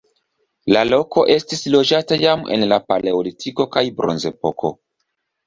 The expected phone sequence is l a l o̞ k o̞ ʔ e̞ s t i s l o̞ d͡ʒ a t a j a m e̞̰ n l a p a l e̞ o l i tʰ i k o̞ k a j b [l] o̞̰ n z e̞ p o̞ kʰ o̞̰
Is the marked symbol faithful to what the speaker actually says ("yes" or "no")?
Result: no